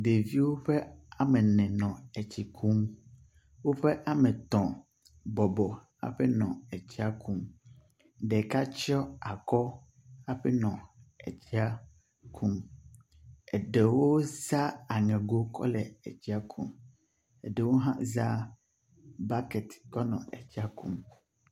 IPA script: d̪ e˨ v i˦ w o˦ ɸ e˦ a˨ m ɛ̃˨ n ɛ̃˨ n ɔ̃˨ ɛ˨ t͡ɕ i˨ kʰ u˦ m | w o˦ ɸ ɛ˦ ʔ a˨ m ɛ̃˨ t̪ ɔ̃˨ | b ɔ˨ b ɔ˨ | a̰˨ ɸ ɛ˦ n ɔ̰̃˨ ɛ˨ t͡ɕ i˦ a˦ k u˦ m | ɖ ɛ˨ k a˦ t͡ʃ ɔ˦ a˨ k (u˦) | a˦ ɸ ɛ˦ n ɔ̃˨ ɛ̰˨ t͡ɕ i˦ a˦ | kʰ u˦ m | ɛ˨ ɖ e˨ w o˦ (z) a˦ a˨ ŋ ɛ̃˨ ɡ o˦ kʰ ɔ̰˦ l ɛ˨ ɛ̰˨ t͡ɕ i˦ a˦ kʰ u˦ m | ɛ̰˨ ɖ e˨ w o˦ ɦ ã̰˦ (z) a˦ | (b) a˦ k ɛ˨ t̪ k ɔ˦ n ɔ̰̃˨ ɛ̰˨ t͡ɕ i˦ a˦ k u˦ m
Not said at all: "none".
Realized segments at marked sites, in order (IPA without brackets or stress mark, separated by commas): ɔ˦, z, z, b